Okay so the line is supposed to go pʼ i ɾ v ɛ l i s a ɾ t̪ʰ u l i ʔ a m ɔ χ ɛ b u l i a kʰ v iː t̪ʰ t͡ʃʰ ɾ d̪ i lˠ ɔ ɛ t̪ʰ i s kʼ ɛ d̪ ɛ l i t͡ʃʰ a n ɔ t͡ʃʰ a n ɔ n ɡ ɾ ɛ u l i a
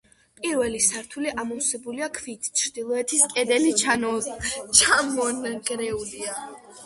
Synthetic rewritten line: pʼ i ɾ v ɛ l i s a ɾ t̪ʰ u l i ʔ a m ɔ s ɛ b u l i a kʰ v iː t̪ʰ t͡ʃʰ ɾ d̪ i lˠ ɔ ɛ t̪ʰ i s kʼ ɛ d̪ ɛ l i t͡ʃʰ a n ɔ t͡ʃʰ a m ɔ n ɡ ɾ ɛ u l i a